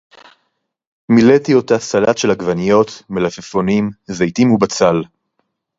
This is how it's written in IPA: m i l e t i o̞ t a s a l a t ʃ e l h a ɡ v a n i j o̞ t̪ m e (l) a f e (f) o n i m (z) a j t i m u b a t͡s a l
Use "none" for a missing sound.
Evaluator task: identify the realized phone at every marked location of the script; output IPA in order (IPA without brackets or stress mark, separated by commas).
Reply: l, f, z